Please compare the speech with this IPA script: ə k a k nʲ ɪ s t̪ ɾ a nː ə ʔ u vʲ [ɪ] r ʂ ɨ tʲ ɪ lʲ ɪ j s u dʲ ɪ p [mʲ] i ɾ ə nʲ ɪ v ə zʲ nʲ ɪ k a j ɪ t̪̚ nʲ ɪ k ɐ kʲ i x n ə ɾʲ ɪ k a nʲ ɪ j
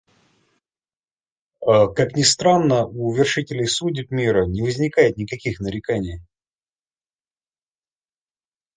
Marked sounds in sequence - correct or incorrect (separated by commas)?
correct, correct